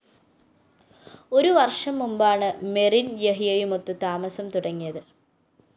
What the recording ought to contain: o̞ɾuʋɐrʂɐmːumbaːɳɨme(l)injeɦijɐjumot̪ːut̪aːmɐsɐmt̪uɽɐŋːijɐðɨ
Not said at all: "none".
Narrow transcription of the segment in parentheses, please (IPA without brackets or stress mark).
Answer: r